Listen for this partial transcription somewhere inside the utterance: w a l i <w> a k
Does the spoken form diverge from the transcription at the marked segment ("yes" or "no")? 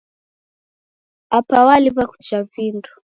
yes